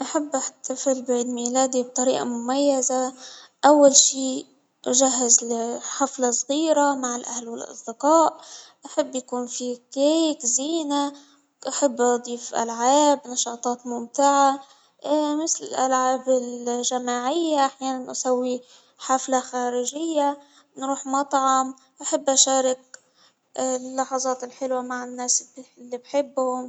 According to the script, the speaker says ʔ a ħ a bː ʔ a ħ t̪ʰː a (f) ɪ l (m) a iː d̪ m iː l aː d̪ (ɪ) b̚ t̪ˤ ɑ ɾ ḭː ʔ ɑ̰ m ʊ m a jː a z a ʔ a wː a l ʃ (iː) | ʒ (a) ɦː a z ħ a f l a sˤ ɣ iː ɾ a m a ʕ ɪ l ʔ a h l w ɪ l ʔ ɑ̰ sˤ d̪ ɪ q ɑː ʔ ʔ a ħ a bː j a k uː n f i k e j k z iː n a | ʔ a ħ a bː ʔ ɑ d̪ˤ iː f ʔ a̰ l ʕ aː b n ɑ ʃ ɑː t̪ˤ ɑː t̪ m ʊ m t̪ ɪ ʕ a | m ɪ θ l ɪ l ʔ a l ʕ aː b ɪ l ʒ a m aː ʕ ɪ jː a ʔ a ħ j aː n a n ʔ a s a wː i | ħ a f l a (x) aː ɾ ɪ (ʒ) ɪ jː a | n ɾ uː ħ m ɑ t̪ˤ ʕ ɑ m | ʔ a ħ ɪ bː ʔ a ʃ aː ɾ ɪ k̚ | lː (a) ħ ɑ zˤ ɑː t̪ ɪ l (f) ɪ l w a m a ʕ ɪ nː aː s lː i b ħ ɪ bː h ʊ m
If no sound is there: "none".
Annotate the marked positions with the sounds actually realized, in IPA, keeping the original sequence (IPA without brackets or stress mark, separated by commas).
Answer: f, b, i, iː, a, x, ʒ, ɑ, ħ